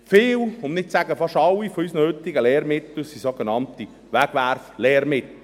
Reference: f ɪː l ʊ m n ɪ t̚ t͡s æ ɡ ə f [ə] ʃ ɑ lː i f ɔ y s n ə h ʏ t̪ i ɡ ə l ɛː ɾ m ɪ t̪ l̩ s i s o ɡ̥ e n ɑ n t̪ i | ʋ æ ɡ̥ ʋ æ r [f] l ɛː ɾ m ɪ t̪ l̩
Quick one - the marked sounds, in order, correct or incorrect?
incorrect: ɑ, correct

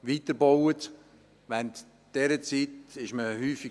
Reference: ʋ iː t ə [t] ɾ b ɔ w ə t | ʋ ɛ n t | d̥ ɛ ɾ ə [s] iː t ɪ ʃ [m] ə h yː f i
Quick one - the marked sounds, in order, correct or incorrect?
incorrect: none, incorrect: t͡s, correct

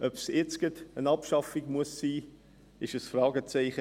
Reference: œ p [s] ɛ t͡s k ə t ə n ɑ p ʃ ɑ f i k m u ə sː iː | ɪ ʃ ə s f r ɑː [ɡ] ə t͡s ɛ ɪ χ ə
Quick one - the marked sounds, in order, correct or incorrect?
correct, correct

